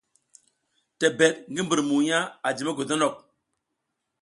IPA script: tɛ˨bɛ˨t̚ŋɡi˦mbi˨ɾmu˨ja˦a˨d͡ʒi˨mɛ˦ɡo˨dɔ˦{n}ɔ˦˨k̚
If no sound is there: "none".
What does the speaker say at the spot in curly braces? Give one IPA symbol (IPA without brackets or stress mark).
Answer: n